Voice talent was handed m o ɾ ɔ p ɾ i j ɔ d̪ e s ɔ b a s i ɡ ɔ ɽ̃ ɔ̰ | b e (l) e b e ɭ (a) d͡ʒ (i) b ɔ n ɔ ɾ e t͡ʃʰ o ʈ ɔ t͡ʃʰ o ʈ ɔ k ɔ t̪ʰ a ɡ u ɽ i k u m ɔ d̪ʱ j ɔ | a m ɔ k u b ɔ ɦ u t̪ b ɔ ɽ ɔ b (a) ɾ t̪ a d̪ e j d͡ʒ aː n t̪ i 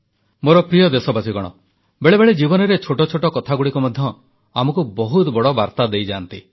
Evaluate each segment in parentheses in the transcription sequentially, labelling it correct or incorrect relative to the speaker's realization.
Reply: incorrect, incorrect, correct, correct

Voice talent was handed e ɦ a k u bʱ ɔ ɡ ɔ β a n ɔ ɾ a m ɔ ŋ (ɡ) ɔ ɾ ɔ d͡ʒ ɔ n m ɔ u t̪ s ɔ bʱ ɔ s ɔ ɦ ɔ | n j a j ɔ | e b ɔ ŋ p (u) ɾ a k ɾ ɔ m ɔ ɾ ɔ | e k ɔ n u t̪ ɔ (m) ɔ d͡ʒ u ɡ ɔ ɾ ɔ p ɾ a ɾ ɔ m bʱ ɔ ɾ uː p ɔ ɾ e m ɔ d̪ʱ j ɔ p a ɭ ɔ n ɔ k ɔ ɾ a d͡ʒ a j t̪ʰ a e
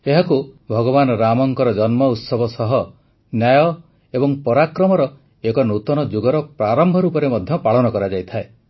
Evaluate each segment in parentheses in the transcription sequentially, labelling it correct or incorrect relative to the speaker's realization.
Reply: incorrect, incorrect, incorrect

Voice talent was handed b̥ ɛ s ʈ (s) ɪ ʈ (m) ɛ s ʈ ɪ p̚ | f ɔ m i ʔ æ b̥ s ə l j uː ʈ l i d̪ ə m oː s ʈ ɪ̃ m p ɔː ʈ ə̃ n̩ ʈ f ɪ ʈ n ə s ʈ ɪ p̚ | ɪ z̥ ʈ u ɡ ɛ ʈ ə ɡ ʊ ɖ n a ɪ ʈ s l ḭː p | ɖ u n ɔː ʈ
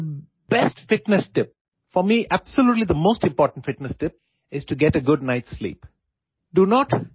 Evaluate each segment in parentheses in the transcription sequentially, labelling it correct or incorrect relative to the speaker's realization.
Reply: incorrect, incorrect

